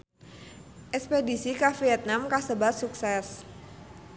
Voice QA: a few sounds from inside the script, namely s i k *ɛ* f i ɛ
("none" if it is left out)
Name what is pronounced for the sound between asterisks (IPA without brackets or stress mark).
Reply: a